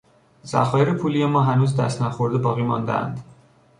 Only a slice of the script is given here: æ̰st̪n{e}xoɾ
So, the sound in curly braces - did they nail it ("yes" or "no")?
no